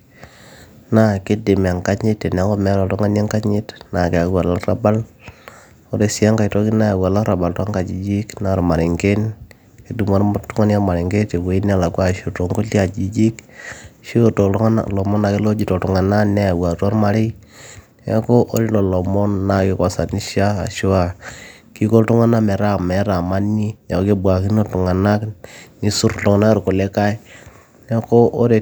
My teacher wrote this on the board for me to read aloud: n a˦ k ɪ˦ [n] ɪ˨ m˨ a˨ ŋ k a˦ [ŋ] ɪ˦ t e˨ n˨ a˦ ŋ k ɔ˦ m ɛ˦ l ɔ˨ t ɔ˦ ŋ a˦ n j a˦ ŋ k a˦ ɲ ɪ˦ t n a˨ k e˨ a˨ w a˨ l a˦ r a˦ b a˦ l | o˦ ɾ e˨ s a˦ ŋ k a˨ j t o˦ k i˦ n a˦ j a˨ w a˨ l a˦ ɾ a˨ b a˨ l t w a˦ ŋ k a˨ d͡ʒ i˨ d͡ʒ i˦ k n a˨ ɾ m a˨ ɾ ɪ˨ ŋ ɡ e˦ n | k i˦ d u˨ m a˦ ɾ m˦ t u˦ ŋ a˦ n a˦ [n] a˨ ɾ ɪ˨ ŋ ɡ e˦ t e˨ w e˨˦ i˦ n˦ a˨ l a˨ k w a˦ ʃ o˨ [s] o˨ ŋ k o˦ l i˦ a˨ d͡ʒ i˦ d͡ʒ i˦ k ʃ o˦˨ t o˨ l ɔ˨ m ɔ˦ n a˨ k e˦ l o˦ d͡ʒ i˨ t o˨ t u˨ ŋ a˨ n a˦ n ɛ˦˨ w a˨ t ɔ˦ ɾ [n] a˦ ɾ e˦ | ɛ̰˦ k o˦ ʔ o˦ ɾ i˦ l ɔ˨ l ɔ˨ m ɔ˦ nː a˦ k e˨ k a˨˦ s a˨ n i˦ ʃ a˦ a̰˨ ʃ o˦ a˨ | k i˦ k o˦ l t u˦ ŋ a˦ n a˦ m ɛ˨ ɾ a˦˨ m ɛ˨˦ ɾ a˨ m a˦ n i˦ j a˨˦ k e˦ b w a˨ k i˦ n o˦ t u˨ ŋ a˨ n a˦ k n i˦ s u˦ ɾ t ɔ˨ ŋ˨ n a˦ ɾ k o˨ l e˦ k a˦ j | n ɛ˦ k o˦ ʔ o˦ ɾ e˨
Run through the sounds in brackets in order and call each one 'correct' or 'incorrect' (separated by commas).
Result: incorrect, incorrect, incorrect, incorrect, incorrect